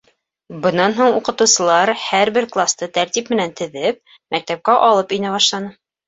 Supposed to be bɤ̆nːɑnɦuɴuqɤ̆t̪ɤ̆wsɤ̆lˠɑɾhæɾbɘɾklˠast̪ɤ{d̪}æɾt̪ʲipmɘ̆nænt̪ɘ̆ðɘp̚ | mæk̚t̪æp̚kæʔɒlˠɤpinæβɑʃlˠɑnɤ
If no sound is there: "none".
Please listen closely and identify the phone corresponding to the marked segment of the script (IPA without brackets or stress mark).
t̪